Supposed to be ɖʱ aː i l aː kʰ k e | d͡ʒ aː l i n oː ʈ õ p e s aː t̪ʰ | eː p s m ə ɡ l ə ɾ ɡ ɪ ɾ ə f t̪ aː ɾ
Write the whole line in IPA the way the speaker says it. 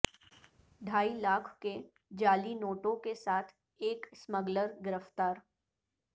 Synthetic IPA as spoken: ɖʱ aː i l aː kʰ k e | d͡ʒ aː l i n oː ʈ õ k e s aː t̪ʰ | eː k s m ə ɡ l ə ɾ ɡ ɪ ɾ ə f t̪ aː ɾ